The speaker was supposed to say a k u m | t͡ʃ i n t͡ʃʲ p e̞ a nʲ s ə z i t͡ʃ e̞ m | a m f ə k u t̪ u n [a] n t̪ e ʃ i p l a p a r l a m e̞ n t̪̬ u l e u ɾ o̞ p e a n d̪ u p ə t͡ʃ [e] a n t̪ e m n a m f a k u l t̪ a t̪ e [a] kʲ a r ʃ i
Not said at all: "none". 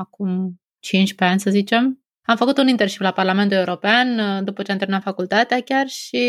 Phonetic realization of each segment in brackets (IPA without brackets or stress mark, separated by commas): i, e, a